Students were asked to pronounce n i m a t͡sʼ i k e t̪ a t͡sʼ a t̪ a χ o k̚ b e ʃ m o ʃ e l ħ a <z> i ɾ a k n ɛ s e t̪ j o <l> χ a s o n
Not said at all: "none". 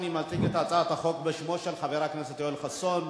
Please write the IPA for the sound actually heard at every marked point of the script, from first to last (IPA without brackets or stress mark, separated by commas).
v, l